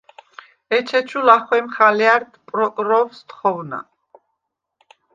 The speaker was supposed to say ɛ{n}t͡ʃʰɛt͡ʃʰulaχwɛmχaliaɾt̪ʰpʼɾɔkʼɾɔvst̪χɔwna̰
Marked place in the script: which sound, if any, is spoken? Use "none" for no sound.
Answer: none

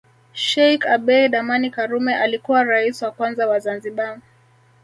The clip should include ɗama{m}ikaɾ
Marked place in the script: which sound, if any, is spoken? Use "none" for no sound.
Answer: n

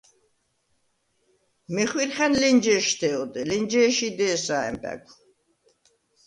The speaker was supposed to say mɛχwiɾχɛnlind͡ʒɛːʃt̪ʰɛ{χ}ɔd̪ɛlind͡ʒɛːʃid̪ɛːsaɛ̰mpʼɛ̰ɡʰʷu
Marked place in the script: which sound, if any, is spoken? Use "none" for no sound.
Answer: none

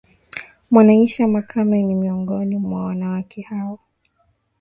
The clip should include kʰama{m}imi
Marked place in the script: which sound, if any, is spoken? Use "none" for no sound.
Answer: n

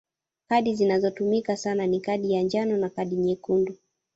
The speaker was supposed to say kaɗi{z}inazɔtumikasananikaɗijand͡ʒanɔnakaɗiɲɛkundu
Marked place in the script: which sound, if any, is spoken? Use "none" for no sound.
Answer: z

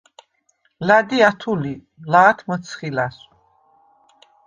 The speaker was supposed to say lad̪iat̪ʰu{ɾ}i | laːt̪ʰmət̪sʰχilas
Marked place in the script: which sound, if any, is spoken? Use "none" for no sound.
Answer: l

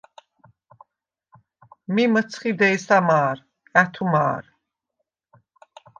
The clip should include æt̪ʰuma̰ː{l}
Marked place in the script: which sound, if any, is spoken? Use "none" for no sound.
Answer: ɾ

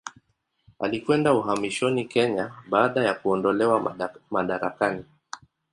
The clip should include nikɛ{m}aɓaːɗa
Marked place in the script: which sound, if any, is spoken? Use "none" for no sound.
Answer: ɲ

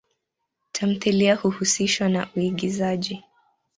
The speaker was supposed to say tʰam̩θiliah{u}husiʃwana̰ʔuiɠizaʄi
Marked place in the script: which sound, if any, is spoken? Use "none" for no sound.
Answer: u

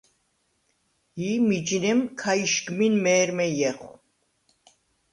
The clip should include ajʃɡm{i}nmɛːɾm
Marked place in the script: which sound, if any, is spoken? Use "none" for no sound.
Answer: i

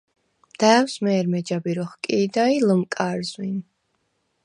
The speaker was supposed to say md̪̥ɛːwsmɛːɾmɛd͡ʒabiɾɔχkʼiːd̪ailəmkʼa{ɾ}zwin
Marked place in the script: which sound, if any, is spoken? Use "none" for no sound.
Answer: ɾ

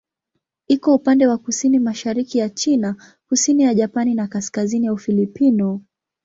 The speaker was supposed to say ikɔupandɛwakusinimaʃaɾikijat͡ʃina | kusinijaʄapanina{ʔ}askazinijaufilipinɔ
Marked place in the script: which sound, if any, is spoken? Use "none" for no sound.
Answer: k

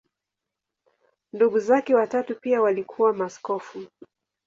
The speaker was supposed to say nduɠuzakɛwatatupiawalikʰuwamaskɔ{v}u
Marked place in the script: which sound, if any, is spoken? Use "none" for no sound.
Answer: f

